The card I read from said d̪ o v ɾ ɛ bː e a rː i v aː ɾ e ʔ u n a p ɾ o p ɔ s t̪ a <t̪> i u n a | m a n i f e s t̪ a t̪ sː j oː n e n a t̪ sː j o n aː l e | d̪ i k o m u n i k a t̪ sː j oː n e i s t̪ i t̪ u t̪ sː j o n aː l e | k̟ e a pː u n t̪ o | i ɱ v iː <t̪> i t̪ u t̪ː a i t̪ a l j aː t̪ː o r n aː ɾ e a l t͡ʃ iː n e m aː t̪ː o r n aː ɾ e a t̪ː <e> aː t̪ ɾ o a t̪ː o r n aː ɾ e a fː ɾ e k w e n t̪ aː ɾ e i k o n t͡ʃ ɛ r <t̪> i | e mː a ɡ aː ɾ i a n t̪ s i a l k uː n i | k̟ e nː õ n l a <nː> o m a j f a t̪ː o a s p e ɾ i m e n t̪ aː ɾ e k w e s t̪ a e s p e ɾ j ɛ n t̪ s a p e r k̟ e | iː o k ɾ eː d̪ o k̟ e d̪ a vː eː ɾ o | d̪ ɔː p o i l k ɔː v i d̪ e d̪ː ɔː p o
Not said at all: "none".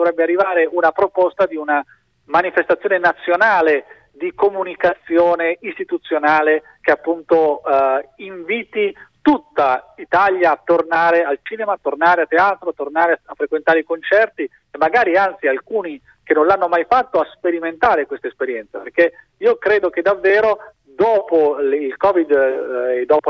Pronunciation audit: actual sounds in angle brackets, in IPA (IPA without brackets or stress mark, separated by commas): d̪, t̪, e, t̪, nː